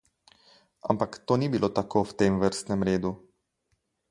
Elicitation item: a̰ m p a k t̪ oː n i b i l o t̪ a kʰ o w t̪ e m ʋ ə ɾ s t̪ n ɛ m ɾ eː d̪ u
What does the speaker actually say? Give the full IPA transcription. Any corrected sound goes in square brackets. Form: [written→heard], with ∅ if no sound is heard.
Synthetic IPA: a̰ m p a k t̪ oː n i b i l o t̪ a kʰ o w t̪ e m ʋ ə ɾ s t̪ n ɛ m ɾ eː d̪ u

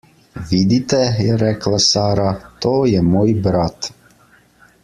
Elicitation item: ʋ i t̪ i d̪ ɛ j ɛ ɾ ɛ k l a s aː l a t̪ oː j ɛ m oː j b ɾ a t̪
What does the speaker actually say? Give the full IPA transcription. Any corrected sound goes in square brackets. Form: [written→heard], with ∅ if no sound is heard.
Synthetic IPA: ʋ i [t̪→d̪] i [d̪→t̪] ɛ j ɛ ɾ ɛ k l a s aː [l→ɾ] a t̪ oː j ɛ m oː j b ɾ a t̪

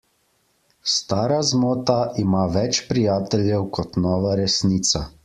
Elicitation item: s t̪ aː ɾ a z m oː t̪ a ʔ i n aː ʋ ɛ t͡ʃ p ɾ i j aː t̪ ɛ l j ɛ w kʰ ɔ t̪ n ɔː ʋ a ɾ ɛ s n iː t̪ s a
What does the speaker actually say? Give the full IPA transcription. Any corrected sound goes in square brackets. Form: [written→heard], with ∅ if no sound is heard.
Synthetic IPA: s t̪ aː ɾ a z m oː t̪ a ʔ i [n→m] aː ʋ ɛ t͡ʃ p ɾ i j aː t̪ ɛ l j ɛ w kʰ ɔ t̪ n ɔː ʋ a ɾ ɛ s n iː t̪ s a

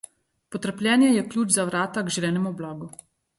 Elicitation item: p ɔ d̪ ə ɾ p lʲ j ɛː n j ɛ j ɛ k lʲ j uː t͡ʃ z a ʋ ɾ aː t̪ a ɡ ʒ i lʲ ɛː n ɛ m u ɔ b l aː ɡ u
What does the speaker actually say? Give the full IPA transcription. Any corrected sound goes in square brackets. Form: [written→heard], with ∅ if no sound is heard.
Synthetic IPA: p ɔ [d̪→t̪] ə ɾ p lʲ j ɛː n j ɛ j ɛ k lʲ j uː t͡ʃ z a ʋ ɾ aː t̪ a ɡ ʒ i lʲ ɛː n ɛ m u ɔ b l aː ɡ u

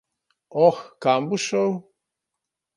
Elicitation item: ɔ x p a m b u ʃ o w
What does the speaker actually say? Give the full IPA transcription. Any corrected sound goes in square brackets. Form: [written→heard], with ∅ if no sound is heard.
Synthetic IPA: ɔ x [p→k] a m b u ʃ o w

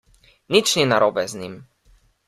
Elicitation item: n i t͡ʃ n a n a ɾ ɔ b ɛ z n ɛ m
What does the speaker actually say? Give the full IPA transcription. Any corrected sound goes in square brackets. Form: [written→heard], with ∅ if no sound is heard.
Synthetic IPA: n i t͡ʃ n [a→i] n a ɾ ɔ b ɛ z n [ɛ→i] m

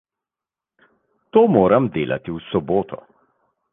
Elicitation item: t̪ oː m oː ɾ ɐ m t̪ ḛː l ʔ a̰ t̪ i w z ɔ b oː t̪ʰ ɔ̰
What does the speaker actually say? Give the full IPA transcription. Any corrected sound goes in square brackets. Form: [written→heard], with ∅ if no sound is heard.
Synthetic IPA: t̪ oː m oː ɾ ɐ m [t̪→d̪] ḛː l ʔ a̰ t̪ i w [z→s] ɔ b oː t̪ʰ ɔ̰

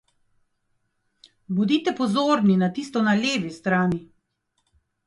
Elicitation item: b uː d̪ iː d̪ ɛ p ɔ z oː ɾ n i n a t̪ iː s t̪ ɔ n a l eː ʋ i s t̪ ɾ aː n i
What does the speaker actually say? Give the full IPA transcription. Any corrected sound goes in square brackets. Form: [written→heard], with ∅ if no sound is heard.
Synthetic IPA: b [uː→u] d̪ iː [d̪→t̪] ɛ p ɔ z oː ɾ n i n a t̪ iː s t̪ ɔ n a l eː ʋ i s t̪ ɾ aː n i

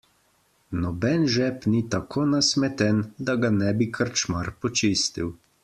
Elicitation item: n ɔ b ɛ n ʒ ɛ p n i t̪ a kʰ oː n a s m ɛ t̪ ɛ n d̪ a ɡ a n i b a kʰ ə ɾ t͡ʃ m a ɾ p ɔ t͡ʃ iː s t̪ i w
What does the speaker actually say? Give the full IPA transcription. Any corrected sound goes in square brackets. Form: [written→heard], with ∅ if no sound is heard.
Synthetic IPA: n ɔ b ɛ n ʒ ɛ p n i t̪ a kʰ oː n a s m ɛ t̪ ɛ n d̪ a ɡ a n [i→ɛ] b [a→i] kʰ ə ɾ t͡ʃ m a ɾ p ɔ t͡ʃ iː s t̪ i w

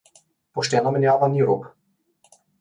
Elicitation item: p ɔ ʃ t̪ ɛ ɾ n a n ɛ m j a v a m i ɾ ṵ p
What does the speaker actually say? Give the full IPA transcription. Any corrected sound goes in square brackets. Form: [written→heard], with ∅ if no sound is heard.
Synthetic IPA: p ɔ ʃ t̪ ɛ [ɾ→∅] n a [n→m] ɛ [m→n] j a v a [m→n] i ɾ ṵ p

